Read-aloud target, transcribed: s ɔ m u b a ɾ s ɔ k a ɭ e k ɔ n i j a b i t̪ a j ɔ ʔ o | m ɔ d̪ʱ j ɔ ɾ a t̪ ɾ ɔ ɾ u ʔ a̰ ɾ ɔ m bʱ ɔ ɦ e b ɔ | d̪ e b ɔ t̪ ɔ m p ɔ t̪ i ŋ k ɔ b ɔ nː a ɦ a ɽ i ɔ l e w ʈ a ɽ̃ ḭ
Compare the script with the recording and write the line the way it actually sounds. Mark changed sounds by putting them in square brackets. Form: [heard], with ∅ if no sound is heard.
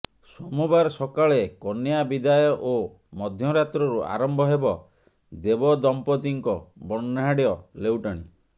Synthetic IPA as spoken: s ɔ m u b a ɾ s ɔ k a ɭ e k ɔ n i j a b i [d̪] a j ɔ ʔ o | m ɔ d̪ʱ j ɔ ɾ a t̪ ɾ ɔ ɾ u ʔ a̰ ɾ ɔ m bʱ ɔ ɦ e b ɔ | d̪ e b ɔ [d̪] ɔ m p ɔ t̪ i ŋ k ɔ b ɔ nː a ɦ a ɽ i ɔ l e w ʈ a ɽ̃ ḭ

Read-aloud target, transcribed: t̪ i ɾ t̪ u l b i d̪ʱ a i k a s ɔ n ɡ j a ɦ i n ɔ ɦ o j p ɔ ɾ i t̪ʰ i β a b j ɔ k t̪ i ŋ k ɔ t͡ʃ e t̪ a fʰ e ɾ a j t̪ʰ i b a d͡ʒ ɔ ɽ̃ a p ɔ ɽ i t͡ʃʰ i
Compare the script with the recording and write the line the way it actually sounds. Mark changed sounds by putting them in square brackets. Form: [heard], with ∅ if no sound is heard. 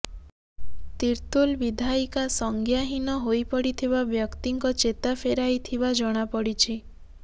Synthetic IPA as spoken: t̪ i ɾ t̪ u l b i d̪ʱ a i k a s ɔ [ŋ] ɡ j a ɦ i n ɔ ɦ o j p ɔ [ɽ] i t̪ʰ i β a b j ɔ k t̪ i ŋ k ɔ t͡ʃ e t̪ a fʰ e ɾ a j t̪ʰ i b a d͡ʒ ɔ ɽ̃ a p ɔ ɽ i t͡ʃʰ i

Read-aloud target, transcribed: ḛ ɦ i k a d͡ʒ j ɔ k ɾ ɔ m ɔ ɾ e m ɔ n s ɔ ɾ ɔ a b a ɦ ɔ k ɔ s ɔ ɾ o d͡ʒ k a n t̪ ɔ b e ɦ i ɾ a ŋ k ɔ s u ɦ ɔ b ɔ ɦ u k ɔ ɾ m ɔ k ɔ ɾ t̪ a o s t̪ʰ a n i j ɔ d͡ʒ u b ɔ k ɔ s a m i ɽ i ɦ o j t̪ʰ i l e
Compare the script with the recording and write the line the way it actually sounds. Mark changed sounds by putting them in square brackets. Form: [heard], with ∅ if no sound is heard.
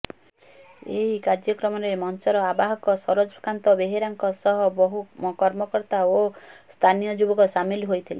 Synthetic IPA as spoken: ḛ ɦ i k a d͡ʒ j ɔ k ɾ ɔ m ɔ ɾ e m ɔ n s ɔ ɾ ɔ a b a ɦ ɔ k ɔ s ɔ ɾ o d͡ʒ k a n t̪ ɔ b e ɦ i ɾ a ŋ k ɔ s [ɔ] ɦ ɔ b ɔ ɦ u k ɔ ɾ m ɔ k ɔ ɾ t̪ a o s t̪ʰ a n i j ɔ d͡ʒ u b ɔ k ɔ s a m i [l] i ɦ o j t̪ʰ i l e

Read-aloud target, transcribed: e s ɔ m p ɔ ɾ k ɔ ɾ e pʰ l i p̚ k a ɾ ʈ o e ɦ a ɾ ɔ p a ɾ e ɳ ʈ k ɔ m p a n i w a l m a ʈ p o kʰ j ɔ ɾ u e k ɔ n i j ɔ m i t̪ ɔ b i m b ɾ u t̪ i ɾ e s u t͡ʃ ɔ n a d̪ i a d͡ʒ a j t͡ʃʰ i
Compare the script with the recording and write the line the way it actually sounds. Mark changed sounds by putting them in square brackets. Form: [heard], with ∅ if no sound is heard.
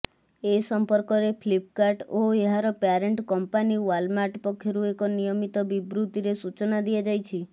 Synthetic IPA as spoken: e s ɔ m p ɔ ɾ k ɔ ɾ e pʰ l i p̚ k a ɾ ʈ o e ɦ a ɾ ɔ p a ɾ e ɳ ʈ k ɔ m p a n i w a l m a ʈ p [ɔ] kʰ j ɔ ɾ u e k ɔ n i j ɔ m i t̪ ɔ b i [∅] b ɾ u t̪ i ɾ e s u t͡ʃ ɔ n a d̪ i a d͡ʒ a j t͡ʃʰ i

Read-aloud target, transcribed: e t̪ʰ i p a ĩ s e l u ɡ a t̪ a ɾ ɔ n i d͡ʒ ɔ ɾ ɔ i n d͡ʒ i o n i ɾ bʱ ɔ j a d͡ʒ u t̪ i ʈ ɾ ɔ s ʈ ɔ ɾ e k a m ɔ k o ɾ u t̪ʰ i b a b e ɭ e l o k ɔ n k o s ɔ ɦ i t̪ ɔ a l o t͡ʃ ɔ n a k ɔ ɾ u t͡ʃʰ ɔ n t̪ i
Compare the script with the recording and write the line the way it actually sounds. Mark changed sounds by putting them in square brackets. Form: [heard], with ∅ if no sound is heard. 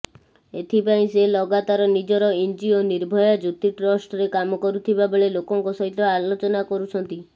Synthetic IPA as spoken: e t̪ʰ i p a ĩ s e l [ɔ] ɡ a t̪ a ɾ ɔ n i d͡ʒ ɔ ɾ ɔ i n d͡ʒ i o n i ɾ bʱ ɔ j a d͡ʒ u t̪ i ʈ ɾ ɔ s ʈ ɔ ɾ e k a m ɔ k [ɔ] ɾ u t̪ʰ i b a b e ɭ e l o k ɔ [ŋ] k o s ɔ ɦ i t̪ ɔ a l o t͡ʃ ɔ n a k ɔ ɾ u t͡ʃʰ ɔ n t̪ i

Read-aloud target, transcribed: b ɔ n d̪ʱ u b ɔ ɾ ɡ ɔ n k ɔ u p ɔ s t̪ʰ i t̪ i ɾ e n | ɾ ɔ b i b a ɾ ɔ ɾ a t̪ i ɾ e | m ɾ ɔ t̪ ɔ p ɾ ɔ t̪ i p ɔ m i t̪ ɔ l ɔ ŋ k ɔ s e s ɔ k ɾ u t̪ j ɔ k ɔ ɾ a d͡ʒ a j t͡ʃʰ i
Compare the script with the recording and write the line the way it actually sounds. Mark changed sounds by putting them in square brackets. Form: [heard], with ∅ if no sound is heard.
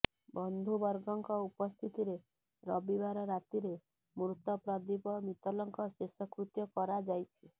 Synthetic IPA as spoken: b ɔ n d̪ʱ u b ɔ ɾ ɡ ɔ [ŋ] k ɔ u p ɔ s t̪ʰ i t̪ i ɾ e [∅] | ɾ ɔ b i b a ɾ ɔ ɾ a t̪ i ɾ e | m ɾ [u] t̪ ɔ p ɾ ɔ [d̪] i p ɔ m i t̪ ɔ l ɔ ŋ k ɔ s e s ɔ k ɾ u t̪ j ɔ k ɔ ɾ a d͡ʒ a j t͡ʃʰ i

